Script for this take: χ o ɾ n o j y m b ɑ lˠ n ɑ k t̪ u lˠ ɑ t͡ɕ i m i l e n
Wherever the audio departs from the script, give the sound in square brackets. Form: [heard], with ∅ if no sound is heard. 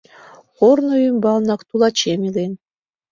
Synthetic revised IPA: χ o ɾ n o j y m b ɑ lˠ n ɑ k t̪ u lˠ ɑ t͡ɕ [e] m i l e n